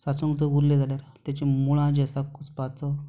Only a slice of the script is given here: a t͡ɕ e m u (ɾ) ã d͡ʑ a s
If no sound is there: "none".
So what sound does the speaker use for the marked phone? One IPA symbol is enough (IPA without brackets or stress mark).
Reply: ɭ